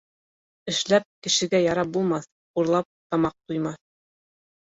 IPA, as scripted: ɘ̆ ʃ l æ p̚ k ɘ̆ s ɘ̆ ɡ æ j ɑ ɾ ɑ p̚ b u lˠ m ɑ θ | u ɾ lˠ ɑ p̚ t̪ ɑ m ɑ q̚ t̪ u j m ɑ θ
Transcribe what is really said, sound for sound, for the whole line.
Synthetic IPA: ɘ̆ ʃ l æ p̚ k ɘ̆ ʃ ɘ̆ ɡ æ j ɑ ɾ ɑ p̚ b u lˠ m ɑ θ | u ɾ lˠ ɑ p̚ t̪ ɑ m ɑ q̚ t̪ u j m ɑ θ